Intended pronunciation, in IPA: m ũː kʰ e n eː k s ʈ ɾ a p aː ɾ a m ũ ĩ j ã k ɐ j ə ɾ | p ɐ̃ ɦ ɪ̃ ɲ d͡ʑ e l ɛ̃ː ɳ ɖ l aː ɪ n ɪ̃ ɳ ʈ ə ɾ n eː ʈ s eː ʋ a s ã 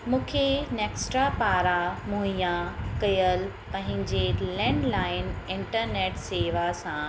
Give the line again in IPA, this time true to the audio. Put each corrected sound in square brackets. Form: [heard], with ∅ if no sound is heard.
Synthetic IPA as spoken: m ũː kʰ e n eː k s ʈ ɾ a p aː ɾ a m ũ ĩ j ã k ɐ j ə [l] | p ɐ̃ ɦ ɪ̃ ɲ d͡ʑ e l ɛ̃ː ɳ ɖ l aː ɪ n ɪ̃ ɳ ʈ ə ɾ n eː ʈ s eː ʋ a s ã